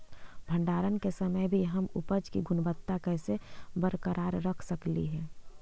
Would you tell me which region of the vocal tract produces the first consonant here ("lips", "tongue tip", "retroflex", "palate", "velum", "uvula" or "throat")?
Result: lips